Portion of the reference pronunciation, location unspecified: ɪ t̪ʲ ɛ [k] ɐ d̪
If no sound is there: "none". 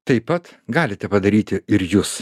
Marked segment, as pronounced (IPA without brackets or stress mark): p